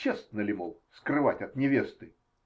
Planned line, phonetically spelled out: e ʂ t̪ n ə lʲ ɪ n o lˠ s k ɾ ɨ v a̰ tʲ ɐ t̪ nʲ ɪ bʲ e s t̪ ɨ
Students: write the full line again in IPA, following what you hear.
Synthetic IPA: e s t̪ n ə lʲ ɪ m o lˠ s k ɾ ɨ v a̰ tʲ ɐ t̪ nʲ ɪ vʲ e s t̪ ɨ